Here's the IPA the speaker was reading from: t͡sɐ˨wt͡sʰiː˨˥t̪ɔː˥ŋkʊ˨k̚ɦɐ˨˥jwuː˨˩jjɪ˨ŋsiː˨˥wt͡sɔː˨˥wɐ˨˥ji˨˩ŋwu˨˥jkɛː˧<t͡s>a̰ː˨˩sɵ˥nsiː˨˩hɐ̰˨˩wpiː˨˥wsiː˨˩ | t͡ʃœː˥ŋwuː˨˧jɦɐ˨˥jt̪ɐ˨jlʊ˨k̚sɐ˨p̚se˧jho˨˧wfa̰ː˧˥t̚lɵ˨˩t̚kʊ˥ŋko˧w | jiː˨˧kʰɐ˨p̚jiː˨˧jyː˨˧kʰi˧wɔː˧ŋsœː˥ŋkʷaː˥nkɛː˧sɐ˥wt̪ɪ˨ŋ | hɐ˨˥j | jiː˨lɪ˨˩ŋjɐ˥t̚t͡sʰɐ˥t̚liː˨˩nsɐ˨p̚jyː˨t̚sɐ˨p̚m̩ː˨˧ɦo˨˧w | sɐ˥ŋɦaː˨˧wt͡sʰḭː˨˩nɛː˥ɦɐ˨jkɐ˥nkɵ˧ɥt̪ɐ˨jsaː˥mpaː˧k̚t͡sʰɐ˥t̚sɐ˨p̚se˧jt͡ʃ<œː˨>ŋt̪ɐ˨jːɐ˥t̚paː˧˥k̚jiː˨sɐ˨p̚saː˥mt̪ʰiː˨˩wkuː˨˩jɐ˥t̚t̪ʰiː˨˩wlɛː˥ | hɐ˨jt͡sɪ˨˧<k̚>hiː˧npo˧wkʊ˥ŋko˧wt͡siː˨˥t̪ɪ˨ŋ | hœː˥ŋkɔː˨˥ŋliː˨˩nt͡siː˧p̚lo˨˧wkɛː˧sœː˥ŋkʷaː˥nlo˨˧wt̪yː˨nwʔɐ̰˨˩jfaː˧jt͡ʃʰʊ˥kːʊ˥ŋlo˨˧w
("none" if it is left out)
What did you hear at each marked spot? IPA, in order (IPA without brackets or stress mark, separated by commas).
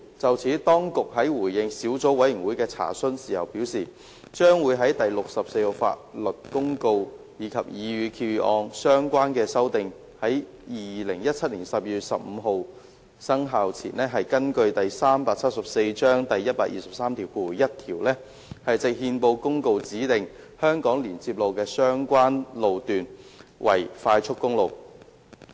t͡sʰ, œː˥, k̚